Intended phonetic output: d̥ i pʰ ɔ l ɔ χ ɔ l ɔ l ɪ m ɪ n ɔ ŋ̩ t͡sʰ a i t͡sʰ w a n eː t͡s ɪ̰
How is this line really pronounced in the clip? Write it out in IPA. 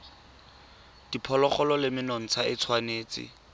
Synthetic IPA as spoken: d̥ i pʰ ɔ l ɔ χ ɔ l ɔ l ɪ m ɪ n ɔ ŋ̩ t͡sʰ a ɪ t͡sʰ w a n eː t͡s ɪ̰